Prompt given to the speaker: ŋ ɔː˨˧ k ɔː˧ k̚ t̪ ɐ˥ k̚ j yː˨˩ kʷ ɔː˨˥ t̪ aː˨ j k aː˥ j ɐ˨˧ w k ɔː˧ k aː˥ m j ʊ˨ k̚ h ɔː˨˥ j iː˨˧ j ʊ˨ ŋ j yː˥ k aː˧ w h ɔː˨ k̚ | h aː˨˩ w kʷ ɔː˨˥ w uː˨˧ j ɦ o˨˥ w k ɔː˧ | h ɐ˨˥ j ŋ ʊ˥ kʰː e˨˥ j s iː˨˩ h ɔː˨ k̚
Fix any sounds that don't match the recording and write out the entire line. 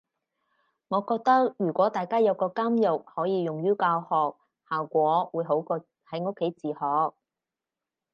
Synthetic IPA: ŋ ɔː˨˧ k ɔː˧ k̚ t̪ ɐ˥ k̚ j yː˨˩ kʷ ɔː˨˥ t̪ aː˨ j k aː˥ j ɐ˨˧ w k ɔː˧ k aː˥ m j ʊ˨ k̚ h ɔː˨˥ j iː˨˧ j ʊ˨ ŋ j yː˥ k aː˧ w h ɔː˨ k̚ | h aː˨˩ w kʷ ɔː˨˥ w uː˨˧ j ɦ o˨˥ w k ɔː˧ | h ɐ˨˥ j ŋ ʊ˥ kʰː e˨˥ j t͡s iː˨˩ h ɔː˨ k̚